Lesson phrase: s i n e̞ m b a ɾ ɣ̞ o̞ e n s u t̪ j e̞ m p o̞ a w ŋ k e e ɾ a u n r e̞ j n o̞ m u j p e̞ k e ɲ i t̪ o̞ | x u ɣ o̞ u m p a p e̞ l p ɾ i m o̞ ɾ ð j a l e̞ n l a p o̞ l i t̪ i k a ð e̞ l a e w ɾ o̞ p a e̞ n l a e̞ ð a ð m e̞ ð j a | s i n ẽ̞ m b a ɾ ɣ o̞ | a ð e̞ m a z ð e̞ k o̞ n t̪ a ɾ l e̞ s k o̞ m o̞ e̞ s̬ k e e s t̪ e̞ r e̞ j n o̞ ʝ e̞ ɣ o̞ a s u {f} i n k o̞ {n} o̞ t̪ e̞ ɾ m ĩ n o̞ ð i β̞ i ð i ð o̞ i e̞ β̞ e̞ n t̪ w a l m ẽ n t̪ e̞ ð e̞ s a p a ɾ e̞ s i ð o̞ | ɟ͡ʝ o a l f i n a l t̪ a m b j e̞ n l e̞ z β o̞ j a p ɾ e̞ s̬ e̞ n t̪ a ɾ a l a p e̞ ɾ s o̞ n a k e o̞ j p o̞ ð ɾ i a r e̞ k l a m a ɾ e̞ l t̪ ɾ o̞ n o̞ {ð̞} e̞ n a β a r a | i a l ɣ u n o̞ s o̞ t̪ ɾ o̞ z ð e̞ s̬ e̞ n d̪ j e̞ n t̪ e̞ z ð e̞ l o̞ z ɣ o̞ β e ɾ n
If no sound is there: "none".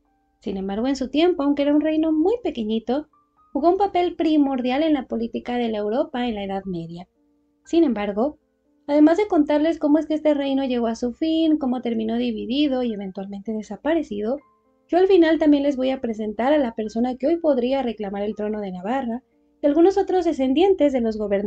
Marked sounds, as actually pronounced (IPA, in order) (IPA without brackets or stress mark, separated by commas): f, m, ð̞